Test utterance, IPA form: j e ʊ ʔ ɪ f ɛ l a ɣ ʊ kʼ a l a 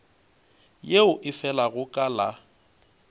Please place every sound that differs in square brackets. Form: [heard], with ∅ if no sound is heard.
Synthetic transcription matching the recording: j e ʊ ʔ ɪ f ɛ l a ɣ ʊ kʼ a l a